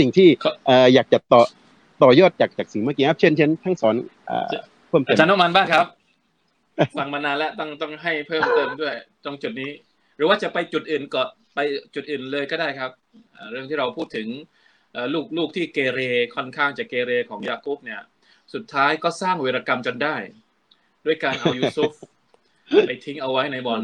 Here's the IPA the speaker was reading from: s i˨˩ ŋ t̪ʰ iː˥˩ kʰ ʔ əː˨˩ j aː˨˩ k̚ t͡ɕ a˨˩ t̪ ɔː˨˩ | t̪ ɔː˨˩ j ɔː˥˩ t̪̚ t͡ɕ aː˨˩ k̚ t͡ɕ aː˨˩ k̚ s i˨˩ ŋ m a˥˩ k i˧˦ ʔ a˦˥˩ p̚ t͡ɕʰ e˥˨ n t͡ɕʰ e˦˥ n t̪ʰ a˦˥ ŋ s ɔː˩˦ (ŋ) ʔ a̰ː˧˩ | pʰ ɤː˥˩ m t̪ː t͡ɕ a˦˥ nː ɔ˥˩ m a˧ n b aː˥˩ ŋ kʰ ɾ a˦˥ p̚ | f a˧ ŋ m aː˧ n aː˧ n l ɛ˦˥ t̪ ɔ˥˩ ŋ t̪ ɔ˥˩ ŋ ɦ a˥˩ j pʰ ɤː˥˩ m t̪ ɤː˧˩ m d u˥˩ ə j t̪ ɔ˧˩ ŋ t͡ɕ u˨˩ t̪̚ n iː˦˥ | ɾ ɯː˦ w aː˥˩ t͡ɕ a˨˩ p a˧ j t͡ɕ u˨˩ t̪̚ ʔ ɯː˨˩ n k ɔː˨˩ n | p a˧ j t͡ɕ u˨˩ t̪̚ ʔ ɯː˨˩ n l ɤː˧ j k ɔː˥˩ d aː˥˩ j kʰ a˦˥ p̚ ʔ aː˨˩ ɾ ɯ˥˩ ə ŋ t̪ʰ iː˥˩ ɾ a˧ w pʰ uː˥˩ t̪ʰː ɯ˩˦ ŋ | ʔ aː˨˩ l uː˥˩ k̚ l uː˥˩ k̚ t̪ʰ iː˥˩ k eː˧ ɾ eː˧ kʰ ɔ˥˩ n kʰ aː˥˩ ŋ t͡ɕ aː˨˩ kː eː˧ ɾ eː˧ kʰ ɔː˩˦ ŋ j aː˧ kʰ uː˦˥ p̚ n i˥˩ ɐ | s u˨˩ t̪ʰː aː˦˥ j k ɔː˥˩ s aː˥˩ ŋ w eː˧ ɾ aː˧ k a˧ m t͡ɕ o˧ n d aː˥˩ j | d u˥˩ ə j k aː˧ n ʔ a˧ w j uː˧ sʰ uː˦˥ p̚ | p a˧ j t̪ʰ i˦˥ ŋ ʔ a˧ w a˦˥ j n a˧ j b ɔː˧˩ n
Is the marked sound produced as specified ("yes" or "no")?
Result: no